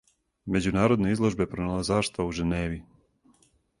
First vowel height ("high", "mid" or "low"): mid